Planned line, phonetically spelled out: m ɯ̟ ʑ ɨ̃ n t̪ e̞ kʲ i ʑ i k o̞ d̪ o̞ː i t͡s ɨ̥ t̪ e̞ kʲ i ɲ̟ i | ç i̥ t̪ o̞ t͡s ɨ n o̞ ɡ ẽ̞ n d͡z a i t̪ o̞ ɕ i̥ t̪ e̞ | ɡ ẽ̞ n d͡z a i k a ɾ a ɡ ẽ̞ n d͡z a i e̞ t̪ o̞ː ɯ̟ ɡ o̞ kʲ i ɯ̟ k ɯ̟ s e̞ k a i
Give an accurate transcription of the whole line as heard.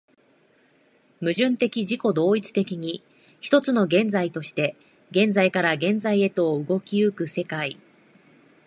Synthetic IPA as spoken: m ɯ̟ ʑ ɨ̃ n t̪ e̞ kʲ i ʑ i k o̞ d̪ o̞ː i t͡s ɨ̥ t̪ e̞ kʲ i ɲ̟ i | ç i̥ t̪ o̞ t͡s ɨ n o̞ ɡ ẽ̞ n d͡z a i t̪ o̞ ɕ i̥ t̪ e̞ | ɡ ẽ̞ n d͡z a i k a ɾ a ɡ ẽ̞ n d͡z a i e̞ t̪ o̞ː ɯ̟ ɡ o̞ kʲ i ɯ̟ k ɯ̟ s e̞ k a i